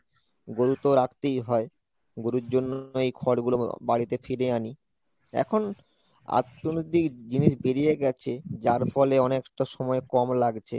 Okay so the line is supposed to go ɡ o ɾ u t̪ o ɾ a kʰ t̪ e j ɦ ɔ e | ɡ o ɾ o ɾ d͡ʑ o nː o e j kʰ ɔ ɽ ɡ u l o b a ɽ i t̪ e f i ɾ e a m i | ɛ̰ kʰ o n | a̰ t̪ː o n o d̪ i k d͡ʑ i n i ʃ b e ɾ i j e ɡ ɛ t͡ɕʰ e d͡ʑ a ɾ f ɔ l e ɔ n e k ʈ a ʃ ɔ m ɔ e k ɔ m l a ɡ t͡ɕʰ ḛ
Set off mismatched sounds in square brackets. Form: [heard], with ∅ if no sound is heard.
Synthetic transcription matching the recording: ɡ o ɾ u t̪ o ɾ a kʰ t̪ e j ɦ ɔ e | ɡ o ɾ [u] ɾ d͡ʑ o nː o e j kʰ ɔ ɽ ɡ u l o b a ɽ i t̪ e f i ɾ e a [n] i | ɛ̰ kʰ o n | a̰ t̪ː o n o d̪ i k d͡ʑ i n i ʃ b e ɾ i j e ɡ ɛ t͡ɕʰ e d͡ʑ a ɾ f ɔ l e ɔ n e k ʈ a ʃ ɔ m ɔ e k ɔ m l a ɡ t͡ɕʰ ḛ

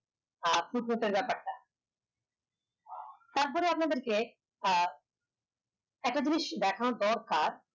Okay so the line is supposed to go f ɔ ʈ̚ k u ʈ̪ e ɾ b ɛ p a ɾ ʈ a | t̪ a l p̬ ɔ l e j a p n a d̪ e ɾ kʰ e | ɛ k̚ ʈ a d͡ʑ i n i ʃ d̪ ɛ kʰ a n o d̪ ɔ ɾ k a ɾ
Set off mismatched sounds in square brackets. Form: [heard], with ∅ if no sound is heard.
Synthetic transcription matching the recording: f [u] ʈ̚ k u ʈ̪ e ɾ b ɛ p a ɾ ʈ a | t̪ a [ɾ] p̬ ɔ [ɾ] e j a p n a d̪ e ɾ [k] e | ɛ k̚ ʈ a d͡ʑ i n i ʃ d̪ ɛ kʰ a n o d̪ ɔ ɾ k a ɾ

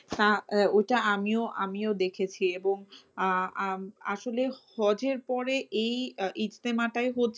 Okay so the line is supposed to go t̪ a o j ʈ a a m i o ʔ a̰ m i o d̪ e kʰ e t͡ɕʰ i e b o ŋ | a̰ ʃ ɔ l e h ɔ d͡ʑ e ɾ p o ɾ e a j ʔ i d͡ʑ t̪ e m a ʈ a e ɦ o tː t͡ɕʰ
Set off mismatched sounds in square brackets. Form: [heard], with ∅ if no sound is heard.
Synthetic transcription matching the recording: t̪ a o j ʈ a a m i o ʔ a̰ m i o d̪ e kʰ e t͡ɕʰ i e b o ŋ | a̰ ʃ [o] l e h ɔ d͡ʑ e ɾ p [ɔ] ɾ e [e] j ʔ i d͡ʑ t̪ e m a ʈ a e ɦ o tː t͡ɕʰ

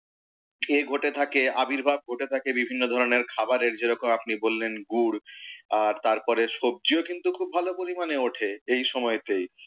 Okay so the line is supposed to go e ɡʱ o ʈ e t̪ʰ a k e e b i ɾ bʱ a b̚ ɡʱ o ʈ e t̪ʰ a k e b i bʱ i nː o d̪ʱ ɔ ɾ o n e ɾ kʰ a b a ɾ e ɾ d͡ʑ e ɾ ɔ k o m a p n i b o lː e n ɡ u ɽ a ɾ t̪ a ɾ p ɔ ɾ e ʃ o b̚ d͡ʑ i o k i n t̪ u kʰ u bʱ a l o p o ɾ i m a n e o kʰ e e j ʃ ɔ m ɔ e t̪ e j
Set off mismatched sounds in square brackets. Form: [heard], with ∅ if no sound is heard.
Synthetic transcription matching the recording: e ɡʱ o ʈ e t̪ʰ a k e [a] b i ɾ bʱ a b̚ ɡʱ o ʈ e t̪ʰ a k e b i bʱ i nː o d̪ʱ ɔ ɾ o n e ɾ kʰ a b a ɾ e ɾ d͡ʑ e ɾ ɔ k o m a p n i b o lː e n ɡ u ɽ a ɾ t̪ a ɾ p ɔ ɾ e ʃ o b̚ d͡ʑ i o k i n t̪ u kʰ u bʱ a l o p o ɾ i m a n e o [ʈʰ] e e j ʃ ɔ m ɔ e t̪ e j

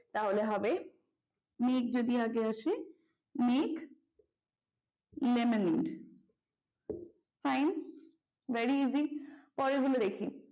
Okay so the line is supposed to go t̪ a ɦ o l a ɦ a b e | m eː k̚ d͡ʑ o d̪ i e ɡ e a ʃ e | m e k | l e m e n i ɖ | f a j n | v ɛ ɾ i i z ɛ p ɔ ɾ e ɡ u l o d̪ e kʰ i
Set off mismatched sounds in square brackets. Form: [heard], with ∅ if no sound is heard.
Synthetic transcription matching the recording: t̪ a ɦ o l [e] ɦ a b e | m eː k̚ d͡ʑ o d̪ i [a] ɡ e a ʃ e | m e k | l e m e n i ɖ | f a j n | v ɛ ɾ i i z [i] p ɔ ɾ e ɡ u l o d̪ e kʰ i

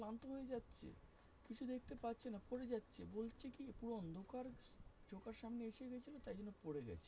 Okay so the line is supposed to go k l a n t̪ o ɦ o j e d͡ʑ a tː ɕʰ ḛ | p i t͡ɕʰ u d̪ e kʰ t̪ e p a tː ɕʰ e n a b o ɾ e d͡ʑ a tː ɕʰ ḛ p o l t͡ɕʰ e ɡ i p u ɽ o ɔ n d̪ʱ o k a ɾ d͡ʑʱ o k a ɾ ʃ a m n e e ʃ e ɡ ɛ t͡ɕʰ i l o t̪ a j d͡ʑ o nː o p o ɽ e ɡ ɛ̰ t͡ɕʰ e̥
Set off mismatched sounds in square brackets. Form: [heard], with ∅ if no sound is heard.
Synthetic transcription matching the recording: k l a n t̪ o ɦ o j e d͡ʑ a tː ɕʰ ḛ | [k] i t͡ɕʰ u d̪ e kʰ t̪ e p a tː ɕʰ e n a [p] o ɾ e d͡ʑ a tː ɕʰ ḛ [b] o l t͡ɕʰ e [k] i p u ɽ o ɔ n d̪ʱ o k a ɾ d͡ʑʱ o k a ɾ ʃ a m n e e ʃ e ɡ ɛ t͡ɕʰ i l o t̪ a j d͡ʑ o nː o p o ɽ e ɡ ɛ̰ t͡ɕʰ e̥

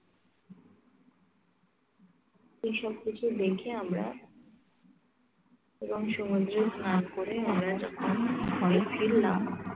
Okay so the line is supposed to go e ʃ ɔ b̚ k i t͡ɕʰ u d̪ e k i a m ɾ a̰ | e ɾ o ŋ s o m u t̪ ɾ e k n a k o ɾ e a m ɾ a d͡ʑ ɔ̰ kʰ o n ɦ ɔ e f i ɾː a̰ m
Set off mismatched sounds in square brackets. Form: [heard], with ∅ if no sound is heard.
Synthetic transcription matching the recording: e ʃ ɔ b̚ k i t͡ɕʰ u d̪ e [kʰ] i a m ɾ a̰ | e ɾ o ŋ [ʃ] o m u [d̪] ɾ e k n a k o ɾ e a m ɾ a d͡ʑ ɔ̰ kʰ o n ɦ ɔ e f i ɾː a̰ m

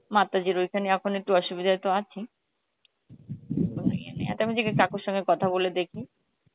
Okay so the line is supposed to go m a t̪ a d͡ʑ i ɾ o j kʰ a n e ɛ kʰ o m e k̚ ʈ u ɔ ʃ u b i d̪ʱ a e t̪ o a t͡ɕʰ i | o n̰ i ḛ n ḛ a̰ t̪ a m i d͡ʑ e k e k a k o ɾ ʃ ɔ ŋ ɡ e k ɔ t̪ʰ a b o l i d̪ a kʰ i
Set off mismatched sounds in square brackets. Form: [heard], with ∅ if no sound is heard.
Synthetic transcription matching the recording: m a t̪ a d͡ʑ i ɾ o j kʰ a n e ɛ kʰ o [n] e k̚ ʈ u ɔ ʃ u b i d̪ʱ a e t̪ o a t͡ɕʰ i | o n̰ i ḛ n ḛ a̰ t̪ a m i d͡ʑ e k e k a k o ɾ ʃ ɔ ŋ ɡ e k ɔ t̪ʰ a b o l [e] d̪ [e] kʰ i

